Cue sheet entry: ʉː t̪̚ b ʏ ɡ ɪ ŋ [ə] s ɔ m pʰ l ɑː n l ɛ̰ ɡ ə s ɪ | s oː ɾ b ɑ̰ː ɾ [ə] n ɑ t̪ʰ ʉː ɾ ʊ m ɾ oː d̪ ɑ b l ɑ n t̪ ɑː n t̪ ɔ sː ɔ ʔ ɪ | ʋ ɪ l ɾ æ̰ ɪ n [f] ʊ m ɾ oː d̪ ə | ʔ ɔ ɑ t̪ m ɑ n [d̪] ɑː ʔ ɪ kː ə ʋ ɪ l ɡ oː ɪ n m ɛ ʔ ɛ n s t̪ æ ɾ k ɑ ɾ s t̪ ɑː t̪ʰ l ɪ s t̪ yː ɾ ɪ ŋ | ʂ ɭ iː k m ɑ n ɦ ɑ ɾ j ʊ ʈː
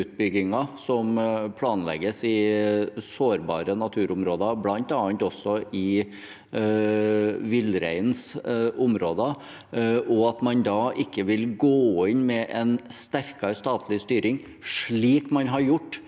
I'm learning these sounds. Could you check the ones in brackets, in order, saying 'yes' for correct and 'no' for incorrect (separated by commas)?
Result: no, yes, no, yes